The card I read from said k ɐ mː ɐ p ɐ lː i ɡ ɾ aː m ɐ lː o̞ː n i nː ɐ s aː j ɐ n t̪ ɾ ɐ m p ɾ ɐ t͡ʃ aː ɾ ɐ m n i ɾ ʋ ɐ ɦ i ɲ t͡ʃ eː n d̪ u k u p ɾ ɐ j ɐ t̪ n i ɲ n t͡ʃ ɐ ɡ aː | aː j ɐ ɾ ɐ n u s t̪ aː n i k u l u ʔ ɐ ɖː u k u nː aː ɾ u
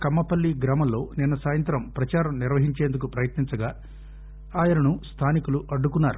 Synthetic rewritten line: k ɐ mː ɐ p ɐ lː i ɡ ɾ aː m ɐ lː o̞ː n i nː ɐ s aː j ɐ n t̪ ɾ ɐ m p ɾ ɐ t͡ʃ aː ɾ ɐ m n i ɾ ʋ ɐ ɦ i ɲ t͡ʃ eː n d̪ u k u p ɾ ɐ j ɐ t̪ n i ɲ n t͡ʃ ɐ ɡ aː | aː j ɐ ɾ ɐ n u s t̪ʰ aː n i k u l u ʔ ɐ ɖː u k u nː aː ɾ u